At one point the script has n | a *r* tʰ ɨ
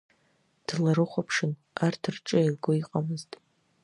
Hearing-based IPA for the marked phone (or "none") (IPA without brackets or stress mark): r